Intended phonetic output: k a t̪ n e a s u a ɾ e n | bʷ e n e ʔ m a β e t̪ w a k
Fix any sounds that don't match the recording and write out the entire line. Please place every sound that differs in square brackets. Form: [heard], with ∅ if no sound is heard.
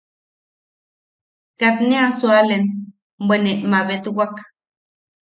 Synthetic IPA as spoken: k a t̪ n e a s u a [l] e n | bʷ e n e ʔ m a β e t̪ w a k